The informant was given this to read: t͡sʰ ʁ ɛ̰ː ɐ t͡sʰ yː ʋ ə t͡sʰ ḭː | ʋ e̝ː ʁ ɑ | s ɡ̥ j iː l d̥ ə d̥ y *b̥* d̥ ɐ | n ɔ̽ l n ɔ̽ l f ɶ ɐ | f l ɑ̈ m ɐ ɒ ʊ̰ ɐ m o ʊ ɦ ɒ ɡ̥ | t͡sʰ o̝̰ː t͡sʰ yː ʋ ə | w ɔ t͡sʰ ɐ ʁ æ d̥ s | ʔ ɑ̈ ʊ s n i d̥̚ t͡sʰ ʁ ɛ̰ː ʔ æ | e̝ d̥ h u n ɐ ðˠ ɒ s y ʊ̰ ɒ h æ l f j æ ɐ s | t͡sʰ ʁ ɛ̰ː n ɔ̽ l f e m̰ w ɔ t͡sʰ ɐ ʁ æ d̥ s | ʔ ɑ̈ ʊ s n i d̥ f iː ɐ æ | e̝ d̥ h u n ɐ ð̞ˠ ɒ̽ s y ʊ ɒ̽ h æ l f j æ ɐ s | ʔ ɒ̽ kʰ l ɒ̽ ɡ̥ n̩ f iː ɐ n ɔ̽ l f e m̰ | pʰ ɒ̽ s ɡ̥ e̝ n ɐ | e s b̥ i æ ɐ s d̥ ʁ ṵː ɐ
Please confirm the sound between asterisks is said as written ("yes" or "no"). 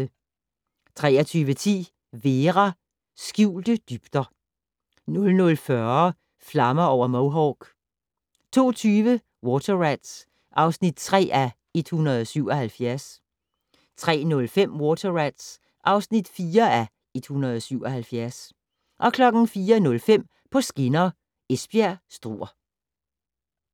yes